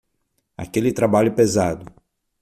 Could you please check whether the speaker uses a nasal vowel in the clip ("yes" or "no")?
no